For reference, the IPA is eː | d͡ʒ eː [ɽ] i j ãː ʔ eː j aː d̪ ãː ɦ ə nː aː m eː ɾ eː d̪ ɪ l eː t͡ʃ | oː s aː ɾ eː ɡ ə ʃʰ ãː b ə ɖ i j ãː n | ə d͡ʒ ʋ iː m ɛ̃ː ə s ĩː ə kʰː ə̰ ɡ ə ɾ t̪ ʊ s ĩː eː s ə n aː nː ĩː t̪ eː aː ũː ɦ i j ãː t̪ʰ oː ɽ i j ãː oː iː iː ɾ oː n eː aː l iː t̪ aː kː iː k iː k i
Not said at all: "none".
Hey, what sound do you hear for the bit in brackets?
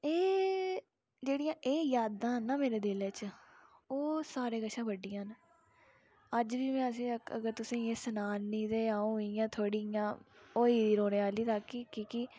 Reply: ɽ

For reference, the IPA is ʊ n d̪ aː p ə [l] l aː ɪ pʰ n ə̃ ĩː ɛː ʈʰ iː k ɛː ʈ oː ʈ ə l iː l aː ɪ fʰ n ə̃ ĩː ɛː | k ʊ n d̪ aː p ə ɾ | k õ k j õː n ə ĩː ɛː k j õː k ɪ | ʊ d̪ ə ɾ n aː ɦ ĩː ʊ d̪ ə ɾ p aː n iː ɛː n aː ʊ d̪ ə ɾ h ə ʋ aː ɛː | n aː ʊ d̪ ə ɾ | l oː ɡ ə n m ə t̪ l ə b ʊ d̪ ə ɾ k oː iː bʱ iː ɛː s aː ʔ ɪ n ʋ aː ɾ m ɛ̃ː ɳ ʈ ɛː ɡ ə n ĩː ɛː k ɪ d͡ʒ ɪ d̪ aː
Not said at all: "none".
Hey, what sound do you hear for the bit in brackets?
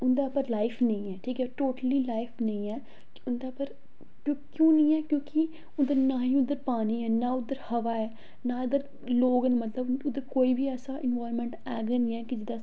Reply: ɾ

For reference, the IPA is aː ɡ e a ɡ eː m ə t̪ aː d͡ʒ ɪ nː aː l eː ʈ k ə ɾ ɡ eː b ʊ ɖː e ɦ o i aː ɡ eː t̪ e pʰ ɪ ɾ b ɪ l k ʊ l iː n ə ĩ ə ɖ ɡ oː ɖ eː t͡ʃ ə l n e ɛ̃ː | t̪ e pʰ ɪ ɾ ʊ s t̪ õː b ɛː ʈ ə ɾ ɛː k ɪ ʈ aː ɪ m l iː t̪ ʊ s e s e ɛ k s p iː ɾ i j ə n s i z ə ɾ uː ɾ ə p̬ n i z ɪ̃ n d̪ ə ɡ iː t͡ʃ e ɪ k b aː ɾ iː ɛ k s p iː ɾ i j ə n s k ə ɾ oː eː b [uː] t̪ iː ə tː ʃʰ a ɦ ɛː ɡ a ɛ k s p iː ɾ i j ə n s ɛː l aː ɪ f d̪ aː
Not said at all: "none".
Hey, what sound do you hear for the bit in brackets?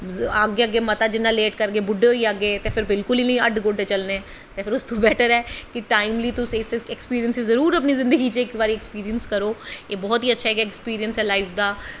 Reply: ɔː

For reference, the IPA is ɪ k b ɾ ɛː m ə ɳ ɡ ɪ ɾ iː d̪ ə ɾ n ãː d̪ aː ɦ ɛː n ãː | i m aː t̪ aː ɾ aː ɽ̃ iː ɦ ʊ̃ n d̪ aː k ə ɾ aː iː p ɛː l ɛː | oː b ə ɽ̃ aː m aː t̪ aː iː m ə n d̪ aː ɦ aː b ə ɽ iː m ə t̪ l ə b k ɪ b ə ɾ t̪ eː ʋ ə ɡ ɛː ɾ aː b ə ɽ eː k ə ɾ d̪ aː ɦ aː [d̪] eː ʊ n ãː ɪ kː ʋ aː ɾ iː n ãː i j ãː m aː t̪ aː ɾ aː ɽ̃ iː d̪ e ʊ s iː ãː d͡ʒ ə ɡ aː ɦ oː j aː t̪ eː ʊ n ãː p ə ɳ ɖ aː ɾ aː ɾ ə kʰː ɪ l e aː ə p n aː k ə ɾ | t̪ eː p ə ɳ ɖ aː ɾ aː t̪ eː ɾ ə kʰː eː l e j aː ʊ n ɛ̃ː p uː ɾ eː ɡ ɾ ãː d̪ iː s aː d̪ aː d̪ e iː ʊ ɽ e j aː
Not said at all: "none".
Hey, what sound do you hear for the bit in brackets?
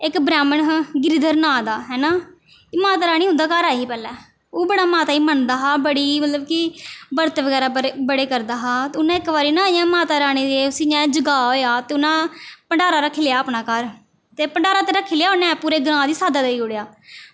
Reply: t̪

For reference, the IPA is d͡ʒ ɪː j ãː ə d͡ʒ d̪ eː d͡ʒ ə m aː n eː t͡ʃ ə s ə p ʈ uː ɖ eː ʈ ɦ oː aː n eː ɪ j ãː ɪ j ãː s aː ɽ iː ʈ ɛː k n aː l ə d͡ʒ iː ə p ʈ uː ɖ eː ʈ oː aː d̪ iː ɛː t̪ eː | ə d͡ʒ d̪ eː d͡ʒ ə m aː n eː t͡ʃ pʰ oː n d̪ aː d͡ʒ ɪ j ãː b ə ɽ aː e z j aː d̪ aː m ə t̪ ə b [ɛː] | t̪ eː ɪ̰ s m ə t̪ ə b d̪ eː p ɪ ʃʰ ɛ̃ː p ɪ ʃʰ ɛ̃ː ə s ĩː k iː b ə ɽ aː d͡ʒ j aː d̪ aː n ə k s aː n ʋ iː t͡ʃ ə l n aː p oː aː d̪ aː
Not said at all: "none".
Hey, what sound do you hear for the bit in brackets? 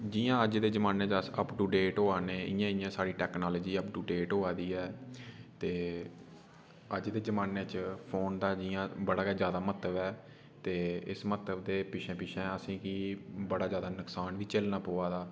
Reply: ɛː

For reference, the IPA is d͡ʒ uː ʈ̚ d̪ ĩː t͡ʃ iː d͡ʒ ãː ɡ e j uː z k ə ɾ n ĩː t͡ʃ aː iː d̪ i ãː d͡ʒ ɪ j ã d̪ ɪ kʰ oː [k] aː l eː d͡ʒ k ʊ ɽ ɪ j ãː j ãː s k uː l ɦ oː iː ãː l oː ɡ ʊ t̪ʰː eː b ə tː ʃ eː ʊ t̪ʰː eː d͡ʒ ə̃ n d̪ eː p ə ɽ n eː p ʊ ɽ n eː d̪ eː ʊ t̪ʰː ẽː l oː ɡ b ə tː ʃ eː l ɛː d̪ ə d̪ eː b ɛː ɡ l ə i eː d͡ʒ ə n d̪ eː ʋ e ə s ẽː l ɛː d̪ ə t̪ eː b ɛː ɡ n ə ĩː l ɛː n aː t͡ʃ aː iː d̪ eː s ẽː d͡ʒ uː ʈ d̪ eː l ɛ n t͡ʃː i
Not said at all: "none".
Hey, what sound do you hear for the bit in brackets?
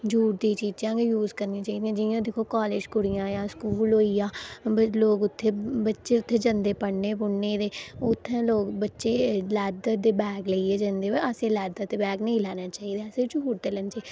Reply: k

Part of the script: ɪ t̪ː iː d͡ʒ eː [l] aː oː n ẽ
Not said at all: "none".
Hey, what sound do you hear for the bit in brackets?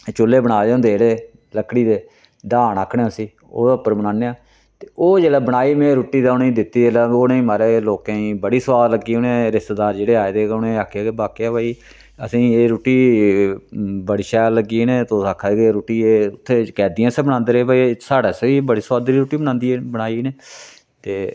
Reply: l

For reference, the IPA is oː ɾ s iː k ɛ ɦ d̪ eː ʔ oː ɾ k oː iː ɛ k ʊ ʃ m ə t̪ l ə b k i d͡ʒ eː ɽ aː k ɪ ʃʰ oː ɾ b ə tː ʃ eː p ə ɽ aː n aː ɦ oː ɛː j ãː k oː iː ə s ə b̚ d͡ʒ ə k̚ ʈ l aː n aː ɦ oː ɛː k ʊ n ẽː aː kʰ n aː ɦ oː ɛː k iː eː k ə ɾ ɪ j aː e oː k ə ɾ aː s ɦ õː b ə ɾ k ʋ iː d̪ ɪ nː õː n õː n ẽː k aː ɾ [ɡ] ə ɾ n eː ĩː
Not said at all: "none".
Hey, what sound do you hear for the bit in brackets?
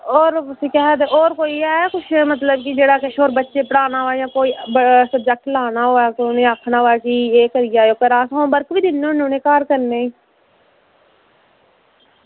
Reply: k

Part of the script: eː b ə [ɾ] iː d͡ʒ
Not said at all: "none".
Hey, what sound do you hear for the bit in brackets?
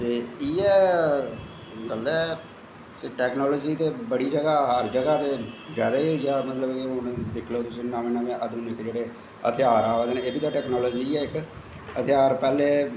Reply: ɽ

